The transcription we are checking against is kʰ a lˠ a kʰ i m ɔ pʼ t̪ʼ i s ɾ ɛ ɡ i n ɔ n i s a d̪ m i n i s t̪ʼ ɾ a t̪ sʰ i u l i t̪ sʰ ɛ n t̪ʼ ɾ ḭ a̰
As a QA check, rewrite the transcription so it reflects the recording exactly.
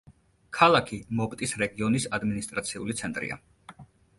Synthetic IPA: kʰ a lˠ a kʰ i m ɔ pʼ t̪ʼ i s ɾ ɛ ɡ i ɔ n i s a d̪ m i n i s t̪ʼ ɾ a t̪ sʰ i u l i t̪ sʰ ɛ n t̪ʼ ɾ ḭ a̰